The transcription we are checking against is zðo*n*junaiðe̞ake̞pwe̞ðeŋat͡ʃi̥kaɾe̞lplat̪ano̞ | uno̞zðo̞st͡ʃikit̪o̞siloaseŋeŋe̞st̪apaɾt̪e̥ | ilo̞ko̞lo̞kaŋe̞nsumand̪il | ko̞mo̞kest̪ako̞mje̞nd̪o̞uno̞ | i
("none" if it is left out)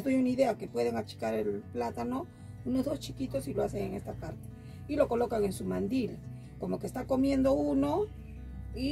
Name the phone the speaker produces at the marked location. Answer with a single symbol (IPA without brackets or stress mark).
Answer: none